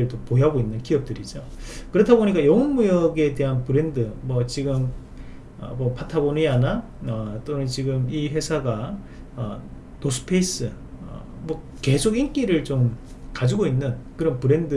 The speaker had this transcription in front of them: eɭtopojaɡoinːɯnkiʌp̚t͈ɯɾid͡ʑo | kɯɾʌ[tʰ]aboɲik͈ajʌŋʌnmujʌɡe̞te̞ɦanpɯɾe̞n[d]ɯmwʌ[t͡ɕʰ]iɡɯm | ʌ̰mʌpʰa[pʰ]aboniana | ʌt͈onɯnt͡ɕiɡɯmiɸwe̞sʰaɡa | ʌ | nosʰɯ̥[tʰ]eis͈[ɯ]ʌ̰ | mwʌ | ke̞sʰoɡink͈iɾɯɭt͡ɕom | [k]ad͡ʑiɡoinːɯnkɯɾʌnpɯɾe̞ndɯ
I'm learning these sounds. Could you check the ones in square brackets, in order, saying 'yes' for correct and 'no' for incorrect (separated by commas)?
yes, yes, no, no, no, yes, yes